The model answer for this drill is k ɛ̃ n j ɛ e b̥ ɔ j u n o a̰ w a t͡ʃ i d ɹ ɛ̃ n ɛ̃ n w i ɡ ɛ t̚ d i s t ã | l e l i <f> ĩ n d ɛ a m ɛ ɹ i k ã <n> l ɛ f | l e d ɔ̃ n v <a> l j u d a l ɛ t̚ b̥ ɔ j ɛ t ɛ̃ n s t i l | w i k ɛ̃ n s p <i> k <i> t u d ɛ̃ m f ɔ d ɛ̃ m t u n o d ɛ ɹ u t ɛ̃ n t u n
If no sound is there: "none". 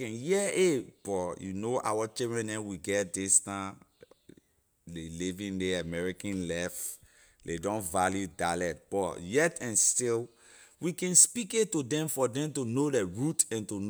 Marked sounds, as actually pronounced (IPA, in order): v, n, a, i, e

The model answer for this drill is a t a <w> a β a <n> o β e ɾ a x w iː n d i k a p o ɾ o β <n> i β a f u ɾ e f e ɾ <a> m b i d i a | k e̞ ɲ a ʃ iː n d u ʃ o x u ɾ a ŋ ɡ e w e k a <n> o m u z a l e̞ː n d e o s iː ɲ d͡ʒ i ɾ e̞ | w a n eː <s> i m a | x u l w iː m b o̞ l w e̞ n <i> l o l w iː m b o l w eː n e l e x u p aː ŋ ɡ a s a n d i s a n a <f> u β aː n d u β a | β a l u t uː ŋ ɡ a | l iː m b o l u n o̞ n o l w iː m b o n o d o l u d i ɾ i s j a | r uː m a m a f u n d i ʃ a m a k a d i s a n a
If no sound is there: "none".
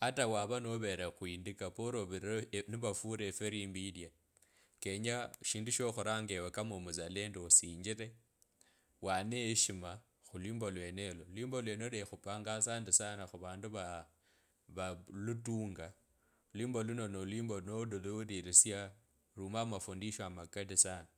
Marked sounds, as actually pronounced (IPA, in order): w, n, n, i, m, ʃ, e, x

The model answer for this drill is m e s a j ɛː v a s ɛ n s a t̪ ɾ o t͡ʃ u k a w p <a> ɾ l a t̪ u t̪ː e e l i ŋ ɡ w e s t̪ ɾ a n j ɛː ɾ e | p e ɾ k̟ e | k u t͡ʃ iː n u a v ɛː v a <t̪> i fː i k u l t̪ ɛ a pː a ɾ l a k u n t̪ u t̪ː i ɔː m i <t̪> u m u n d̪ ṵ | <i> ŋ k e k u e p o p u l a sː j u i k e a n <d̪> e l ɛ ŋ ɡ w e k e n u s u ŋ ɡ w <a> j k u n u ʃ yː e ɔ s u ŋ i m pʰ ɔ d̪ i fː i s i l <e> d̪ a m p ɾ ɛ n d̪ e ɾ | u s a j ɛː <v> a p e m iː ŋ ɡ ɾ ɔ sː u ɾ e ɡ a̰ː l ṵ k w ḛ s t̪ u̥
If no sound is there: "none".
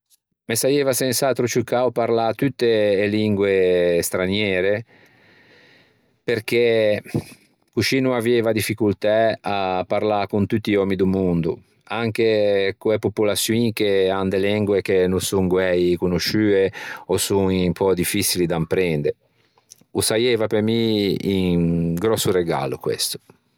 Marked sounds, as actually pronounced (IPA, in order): a, d̪, d̪, a, d̪, ɛ, i, v

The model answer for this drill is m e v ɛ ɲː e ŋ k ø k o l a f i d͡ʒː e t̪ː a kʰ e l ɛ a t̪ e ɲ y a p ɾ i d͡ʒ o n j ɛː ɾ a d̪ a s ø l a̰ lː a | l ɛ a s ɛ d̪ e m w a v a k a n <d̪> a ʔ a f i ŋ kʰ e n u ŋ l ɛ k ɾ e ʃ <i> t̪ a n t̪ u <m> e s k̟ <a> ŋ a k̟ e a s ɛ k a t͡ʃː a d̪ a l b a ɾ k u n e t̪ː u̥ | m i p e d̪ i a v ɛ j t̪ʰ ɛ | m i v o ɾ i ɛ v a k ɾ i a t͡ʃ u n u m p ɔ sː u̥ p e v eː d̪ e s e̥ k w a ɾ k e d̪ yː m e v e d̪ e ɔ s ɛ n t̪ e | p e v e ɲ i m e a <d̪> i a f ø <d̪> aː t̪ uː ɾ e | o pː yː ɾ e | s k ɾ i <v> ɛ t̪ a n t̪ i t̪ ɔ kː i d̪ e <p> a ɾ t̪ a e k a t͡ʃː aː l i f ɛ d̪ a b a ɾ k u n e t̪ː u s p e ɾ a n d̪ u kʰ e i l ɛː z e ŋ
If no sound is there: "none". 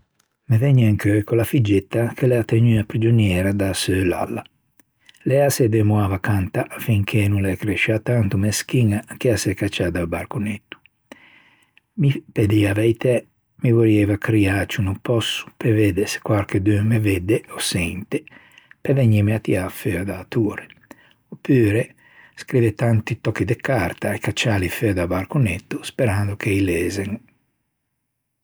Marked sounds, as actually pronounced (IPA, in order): t̪, a, m, i, t̪, d̪, v, k

